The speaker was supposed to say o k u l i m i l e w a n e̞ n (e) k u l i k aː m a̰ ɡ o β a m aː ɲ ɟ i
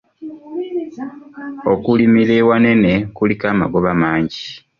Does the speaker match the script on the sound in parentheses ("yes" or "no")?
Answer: yes